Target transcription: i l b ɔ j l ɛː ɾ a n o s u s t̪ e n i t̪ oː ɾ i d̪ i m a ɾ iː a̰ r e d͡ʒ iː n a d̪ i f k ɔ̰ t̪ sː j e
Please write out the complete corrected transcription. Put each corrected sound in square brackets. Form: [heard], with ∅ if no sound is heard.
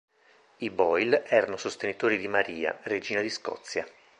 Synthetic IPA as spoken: i [∅] b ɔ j l ɛː ɾ a n o s [o] s t̪ e n i t̪ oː ɾ i d̪ i m a ɾ iː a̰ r e d͡ʒ iː n a d̪ i [s] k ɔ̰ t̪ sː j [a]